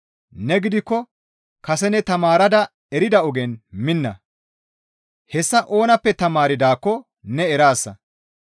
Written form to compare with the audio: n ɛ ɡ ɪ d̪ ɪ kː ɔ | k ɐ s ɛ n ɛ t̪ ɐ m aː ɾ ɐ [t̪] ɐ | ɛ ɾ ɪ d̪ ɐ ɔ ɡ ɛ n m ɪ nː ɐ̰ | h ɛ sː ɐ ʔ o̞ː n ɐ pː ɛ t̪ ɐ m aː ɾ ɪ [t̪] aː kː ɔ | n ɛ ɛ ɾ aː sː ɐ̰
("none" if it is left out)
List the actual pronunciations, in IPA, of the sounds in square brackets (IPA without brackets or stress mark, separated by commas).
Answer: d̪, d̪